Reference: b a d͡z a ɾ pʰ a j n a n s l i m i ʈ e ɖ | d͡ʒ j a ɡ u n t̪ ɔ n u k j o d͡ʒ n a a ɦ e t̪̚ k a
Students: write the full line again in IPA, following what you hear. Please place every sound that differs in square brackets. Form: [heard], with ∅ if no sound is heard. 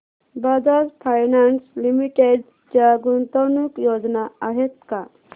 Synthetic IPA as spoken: b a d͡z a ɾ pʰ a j n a n s l i m i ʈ e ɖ | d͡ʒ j a ɡ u n t̪ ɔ n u k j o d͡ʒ n a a ɦ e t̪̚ k a